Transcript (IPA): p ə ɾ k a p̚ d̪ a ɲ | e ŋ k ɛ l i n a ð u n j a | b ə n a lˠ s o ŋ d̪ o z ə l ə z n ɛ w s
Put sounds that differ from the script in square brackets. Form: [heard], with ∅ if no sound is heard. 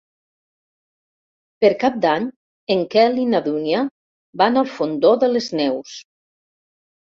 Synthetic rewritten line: p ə ɾ k a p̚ d̪ a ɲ | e ŋ k ɛ l i n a ð u n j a | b [a] n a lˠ [f] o [n] d̪ o [ð] ə l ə z n ɛ w s